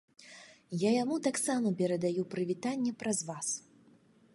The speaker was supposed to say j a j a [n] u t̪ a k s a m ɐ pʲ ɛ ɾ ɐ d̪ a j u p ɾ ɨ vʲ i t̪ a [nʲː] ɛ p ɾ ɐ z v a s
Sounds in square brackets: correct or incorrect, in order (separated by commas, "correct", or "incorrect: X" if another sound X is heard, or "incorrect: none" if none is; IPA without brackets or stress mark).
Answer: incorrect: m, correct